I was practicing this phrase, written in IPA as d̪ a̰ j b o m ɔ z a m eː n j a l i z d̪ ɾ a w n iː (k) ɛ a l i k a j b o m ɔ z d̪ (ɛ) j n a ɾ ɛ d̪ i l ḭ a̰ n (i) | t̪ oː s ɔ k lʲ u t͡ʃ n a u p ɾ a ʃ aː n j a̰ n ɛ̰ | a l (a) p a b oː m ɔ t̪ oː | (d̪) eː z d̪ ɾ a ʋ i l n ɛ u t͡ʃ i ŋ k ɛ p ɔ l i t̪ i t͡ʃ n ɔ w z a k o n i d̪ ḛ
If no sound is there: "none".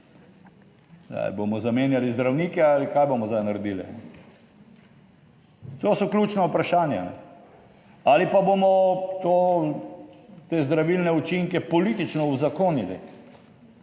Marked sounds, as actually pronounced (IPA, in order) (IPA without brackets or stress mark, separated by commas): k, a, ɛ, i, t̪